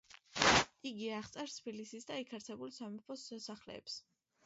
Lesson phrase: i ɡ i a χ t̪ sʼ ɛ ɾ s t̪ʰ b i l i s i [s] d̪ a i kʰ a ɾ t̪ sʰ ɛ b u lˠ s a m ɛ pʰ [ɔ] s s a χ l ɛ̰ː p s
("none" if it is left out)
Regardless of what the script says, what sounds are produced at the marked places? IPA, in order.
s, ɔ

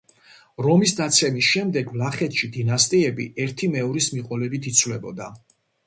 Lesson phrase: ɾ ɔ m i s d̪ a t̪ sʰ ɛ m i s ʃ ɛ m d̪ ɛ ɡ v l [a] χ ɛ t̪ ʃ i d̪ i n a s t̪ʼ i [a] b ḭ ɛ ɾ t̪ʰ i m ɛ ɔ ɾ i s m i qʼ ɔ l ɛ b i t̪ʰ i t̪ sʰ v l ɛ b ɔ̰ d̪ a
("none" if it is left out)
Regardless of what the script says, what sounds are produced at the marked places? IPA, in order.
a, ɛ

